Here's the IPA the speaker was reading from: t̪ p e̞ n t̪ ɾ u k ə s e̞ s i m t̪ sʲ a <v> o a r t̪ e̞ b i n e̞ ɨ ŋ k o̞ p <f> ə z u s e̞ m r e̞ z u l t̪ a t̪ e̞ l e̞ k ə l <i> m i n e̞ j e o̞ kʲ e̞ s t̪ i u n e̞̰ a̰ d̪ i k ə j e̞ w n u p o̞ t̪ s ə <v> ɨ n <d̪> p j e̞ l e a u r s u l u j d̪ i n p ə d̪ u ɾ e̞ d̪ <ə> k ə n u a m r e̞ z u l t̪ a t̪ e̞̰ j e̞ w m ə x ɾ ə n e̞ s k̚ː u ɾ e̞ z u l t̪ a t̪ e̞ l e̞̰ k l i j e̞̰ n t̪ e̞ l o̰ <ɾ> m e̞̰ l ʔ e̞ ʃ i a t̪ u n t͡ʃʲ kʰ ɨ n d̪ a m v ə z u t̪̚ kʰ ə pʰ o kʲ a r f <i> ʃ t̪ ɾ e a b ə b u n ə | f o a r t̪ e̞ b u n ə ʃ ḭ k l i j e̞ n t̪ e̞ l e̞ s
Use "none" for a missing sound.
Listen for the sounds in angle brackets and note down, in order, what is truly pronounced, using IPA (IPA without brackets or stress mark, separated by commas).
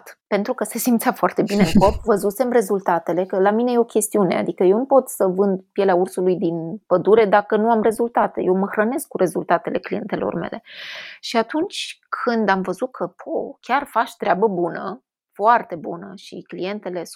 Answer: f, v, a, v, d̪, a, r, a